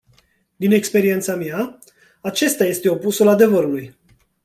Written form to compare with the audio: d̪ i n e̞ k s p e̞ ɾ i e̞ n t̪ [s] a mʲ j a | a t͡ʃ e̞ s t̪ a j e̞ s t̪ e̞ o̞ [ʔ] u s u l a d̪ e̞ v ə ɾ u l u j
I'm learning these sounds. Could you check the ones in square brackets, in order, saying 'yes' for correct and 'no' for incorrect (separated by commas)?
yes, no